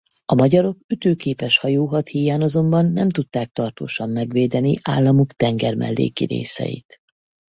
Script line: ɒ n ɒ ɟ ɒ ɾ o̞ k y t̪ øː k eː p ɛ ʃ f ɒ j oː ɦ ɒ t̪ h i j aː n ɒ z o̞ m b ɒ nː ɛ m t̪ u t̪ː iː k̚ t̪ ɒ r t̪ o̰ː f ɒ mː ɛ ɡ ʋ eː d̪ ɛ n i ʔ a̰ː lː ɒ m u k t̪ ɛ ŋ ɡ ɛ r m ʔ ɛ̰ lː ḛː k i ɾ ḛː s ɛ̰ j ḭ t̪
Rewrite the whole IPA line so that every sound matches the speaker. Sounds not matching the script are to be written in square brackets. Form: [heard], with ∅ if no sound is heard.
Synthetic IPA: ɒ [m] ɒ ɟ ɒ ɾ o̞ k y t̪ øː k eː p ɛ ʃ [h] ɒ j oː ɦ ɒ t̪ h i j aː n ɒ z o̞ m b ɒ nː ɛ m t̪ u t̪ː [aː] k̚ t̪ ɒ r t̪ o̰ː [ʃ] ɒ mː ɛ ɡ ʋ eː d̪ ɛ n i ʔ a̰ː lː ɒ m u k t̪ ɛ ŋ ɡ ɛ r m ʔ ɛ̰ lː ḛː k i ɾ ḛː s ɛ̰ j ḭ t̪